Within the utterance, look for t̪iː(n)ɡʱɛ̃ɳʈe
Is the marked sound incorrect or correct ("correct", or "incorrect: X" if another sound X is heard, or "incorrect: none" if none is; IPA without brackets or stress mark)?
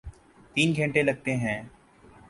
correct